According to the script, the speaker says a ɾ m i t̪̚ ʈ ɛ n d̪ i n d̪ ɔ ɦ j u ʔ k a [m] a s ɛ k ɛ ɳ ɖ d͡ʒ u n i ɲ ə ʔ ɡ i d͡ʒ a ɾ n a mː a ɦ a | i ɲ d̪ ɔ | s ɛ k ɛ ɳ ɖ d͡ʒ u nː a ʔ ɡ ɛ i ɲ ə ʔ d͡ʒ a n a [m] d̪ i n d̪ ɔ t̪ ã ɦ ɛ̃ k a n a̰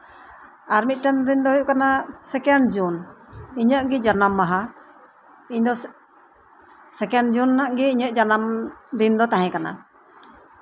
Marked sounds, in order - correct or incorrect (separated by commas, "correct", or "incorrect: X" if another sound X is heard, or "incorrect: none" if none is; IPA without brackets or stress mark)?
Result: incorrect: n, correct